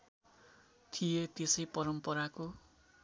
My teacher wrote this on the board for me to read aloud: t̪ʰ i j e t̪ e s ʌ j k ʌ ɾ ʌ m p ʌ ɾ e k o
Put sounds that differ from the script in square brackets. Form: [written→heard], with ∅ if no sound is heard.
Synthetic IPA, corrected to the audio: t̪ʰ i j e t̪ e s ʌ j [k→p] ʌ ɾ ʌ m p ʌ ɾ [e→a] k o